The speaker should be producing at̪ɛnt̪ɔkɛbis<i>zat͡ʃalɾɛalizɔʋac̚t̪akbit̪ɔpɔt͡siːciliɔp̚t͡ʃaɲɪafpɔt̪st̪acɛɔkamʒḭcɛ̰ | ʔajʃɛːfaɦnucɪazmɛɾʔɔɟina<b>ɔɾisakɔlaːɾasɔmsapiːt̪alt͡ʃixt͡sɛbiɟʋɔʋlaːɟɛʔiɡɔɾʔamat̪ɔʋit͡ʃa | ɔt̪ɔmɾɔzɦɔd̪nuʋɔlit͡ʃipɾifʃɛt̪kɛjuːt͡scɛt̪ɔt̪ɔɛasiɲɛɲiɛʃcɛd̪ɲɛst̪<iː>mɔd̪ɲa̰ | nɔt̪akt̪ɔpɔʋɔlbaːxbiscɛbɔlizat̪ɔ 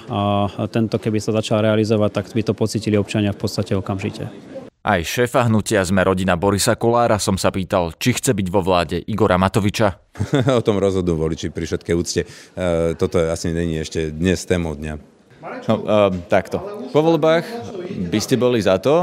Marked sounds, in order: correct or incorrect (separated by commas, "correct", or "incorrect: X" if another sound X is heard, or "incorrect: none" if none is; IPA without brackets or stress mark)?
incorrect: a, correct, incorrect: ɛː